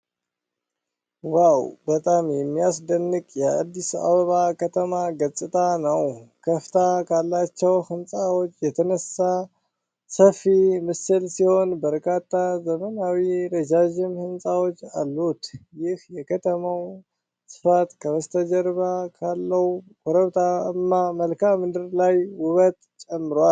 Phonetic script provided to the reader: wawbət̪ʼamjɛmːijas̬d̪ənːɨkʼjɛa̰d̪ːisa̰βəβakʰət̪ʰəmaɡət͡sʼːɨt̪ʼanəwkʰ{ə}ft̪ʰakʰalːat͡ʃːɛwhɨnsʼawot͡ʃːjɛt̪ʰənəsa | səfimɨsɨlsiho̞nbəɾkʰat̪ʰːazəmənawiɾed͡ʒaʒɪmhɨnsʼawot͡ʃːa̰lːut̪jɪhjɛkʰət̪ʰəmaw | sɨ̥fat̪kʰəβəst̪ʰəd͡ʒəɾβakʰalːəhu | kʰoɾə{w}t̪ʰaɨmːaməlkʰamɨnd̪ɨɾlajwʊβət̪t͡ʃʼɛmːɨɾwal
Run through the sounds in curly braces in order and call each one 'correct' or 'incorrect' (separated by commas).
correct, incorrect